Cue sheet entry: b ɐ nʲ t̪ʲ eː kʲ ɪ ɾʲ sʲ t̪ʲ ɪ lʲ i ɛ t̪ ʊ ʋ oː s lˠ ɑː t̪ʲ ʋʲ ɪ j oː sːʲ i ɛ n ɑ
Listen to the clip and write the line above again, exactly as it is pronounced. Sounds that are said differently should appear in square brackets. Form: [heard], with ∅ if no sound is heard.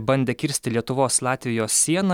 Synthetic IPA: b ɐ nʲ [d̪ʲ] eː kʲ ɪ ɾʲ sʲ t̪ʲ ɪ lʲ i ɛ t̪ ʊ ʋ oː s lˠ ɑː t̪ʲ ʋʲ ɪ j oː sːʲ i ɛ n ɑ